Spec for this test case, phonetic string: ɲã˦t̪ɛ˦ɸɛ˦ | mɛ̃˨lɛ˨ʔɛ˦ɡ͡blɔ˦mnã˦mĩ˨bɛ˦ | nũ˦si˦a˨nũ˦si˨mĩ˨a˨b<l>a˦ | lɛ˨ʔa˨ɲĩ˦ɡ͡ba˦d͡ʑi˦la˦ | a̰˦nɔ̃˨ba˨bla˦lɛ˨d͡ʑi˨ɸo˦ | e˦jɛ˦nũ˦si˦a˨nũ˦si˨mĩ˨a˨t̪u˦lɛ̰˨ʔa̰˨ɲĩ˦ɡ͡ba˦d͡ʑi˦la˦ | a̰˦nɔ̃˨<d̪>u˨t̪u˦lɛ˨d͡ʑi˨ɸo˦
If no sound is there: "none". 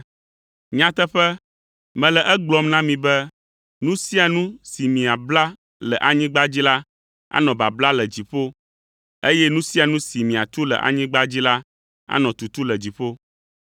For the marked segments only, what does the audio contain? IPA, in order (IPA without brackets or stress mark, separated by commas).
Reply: l, t̪